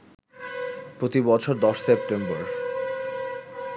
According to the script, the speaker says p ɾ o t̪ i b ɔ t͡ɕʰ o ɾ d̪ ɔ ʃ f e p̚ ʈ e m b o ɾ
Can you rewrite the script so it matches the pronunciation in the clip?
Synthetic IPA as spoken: p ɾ o t̪ i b ɔ t͡ɕʰ o ɾ d̪ ɔ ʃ s e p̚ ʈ e m b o ɾ